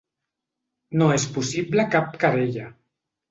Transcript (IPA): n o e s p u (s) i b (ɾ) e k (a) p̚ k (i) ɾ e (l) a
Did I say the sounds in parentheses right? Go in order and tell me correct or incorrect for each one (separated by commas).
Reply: correct, incorrect, correct, incorrect, incorrect